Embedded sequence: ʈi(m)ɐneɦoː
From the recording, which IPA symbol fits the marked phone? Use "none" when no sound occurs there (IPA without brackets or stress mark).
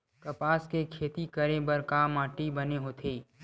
b